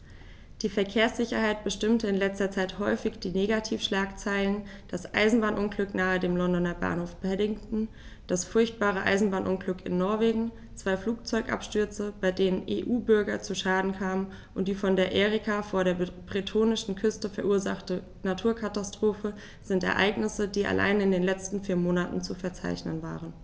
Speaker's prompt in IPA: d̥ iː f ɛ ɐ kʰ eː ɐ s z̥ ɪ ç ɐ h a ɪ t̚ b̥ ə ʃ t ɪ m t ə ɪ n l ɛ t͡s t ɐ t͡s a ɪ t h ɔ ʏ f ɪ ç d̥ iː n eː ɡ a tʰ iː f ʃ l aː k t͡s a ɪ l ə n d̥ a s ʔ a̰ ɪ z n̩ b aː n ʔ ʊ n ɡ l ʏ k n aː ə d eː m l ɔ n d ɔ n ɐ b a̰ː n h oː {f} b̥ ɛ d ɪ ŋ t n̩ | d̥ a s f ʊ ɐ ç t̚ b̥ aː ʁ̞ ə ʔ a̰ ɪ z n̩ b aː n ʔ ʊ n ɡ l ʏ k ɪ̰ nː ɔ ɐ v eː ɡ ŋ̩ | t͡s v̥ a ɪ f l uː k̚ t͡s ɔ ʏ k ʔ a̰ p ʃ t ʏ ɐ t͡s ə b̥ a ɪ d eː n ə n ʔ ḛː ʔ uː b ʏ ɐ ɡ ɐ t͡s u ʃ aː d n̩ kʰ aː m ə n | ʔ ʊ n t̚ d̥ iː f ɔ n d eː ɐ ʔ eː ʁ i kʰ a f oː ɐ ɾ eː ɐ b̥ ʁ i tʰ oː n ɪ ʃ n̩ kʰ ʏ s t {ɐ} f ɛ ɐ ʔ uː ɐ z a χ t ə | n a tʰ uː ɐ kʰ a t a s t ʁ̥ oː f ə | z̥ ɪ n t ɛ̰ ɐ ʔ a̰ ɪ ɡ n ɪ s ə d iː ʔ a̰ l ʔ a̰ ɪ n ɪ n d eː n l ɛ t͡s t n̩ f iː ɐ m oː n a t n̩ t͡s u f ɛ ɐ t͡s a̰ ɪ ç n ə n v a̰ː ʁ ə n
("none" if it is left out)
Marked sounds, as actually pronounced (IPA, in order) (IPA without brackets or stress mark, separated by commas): f, ə